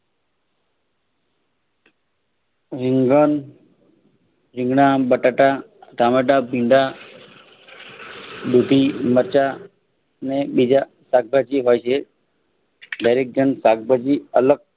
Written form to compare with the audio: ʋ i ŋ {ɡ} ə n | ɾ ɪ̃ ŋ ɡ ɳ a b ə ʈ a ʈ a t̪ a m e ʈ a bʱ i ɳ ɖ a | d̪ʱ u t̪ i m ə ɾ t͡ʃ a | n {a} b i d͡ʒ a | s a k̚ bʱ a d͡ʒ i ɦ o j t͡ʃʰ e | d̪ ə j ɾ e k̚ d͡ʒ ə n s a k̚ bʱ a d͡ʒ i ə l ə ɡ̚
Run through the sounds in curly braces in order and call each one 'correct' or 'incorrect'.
correct, incorrect: e

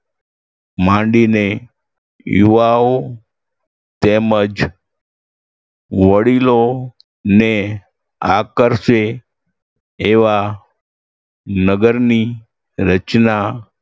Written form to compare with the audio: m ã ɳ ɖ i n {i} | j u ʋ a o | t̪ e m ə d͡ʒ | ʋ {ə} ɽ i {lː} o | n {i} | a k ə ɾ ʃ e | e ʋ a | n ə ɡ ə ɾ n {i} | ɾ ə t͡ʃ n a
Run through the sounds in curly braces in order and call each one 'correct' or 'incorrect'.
incorrect: e, correct, incorrect: l, incorrect: e, correct

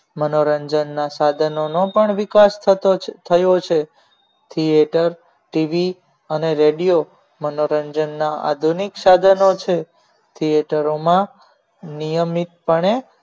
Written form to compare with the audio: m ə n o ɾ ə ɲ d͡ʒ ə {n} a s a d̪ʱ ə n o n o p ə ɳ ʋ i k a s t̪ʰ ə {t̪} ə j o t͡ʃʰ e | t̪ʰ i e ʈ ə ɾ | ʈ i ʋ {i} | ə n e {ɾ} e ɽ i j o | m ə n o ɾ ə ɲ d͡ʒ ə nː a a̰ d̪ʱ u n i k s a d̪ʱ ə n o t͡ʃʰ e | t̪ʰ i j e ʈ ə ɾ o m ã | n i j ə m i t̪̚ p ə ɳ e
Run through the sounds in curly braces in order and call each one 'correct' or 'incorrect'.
incorrect: nː, incorrect: t̪ʰ, correct, correct

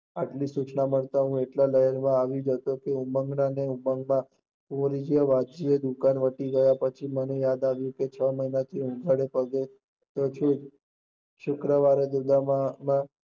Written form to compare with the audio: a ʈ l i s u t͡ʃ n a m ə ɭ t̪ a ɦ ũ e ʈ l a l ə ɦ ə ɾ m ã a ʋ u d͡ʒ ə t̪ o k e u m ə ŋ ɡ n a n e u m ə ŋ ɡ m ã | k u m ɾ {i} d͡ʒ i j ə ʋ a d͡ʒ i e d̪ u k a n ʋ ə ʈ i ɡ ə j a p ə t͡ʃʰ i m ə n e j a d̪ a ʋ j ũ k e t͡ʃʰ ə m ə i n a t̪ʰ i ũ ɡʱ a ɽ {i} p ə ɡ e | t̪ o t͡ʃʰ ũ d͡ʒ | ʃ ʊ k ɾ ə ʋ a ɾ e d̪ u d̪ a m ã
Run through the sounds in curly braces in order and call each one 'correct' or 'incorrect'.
correct, incorrect: e

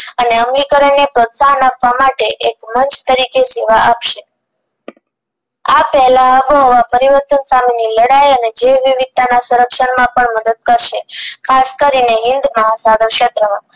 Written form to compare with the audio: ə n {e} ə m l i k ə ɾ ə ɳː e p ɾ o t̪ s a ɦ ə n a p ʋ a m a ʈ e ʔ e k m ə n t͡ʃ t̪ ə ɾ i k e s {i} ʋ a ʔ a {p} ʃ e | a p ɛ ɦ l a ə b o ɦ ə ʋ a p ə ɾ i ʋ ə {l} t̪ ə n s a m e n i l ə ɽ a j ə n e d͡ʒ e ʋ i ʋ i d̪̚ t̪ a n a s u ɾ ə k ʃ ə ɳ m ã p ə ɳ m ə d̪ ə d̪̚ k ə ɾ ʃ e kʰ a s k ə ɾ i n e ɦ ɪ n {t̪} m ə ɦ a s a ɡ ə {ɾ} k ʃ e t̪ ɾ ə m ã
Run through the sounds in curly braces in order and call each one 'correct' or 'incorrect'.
correct, incorrect: e, correct, incorrect: ɾ, incorrect: d̪, correct

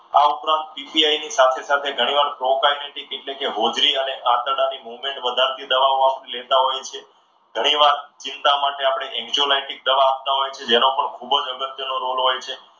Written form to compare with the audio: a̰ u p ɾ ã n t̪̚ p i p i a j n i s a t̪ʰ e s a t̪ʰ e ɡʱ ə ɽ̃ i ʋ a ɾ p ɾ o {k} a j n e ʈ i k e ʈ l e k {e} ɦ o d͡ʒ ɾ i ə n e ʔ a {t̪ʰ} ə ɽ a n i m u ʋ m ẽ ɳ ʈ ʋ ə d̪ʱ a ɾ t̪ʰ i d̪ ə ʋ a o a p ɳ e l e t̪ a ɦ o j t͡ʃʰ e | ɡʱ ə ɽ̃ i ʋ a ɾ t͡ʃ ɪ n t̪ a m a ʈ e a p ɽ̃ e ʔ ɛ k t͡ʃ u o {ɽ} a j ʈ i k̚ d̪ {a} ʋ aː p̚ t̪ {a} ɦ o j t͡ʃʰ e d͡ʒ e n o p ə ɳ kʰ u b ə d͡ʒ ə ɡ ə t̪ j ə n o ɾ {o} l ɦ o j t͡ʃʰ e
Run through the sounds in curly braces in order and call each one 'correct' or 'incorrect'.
correct, correct, incorrect: t̪, incorrect: l, incorrect: ə, correct, correct

